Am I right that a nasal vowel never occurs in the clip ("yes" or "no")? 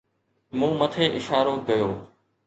no